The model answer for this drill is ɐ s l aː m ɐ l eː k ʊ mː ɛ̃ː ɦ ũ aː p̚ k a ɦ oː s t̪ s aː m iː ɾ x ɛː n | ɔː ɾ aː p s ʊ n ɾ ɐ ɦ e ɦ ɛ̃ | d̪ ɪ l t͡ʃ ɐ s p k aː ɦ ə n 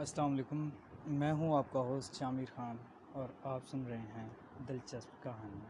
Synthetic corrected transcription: ɐ s l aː m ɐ l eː k ʊ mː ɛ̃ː ɦ ũ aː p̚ k a ɦ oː s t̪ ʃ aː m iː ɾ x aː n | ɔː ɾ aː p s ʊ n ɾ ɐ ɦ e ɦ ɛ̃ | d̪ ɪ l t͡ʃ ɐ s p k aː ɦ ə n